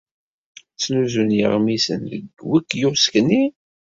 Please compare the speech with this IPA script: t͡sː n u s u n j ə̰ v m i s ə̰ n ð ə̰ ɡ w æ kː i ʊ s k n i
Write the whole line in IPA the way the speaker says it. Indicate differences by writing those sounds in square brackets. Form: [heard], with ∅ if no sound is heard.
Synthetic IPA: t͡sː n u [z] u n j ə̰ [ʁ] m i s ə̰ n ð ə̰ ɡ w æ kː [j] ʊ s k n i